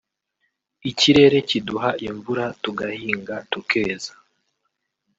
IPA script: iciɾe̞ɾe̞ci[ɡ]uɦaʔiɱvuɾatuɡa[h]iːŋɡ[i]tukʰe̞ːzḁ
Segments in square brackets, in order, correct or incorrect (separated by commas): incorrect, correct, incorrect